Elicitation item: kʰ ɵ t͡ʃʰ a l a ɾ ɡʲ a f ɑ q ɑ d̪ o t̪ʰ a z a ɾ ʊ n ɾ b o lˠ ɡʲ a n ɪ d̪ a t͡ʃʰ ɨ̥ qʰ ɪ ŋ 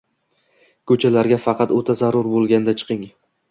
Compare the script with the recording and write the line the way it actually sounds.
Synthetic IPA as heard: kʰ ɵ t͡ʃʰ a l a ɾ ɡʲ a f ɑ q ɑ t̪ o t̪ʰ a z a ɾ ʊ ɾ b o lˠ ɡʲ a n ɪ d̪ a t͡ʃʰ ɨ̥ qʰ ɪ ŋ